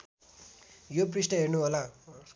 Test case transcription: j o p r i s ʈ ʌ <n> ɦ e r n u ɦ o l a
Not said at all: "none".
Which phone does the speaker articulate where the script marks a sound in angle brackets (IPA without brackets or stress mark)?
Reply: none